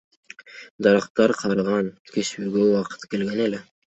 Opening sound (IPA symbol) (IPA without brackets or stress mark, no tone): d̪